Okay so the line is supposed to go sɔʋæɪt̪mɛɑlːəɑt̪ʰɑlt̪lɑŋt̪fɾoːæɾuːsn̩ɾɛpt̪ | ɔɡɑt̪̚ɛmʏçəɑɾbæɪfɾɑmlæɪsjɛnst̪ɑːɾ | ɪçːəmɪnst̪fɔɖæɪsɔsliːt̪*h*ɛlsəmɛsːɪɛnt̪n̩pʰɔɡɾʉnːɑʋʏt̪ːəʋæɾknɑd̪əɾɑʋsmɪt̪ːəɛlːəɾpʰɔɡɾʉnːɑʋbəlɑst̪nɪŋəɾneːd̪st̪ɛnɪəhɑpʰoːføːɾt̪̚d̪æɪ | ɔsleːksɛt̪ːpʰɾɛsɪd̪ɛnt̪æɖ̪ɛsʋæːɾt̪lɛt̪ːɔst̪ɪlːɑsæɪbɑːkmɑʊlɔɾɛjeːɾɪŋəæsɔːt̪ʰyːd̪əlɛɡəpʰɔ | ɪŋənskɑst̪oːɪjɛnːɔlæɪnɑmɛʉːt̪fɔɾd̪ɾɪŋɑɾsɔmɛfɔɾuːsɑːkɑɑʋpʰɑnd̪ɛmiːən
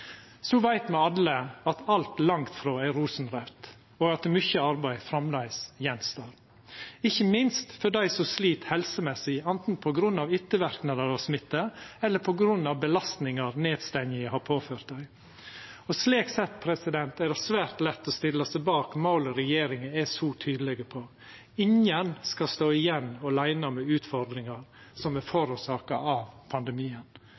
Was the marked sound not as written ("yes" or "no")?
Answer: no